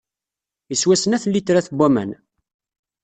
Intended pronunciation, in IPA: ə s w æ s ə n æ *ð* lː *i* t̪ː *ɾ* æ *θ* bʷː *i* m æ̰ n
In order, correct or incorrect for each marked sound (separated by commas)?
incorrect, correct, correct, correct, incorrect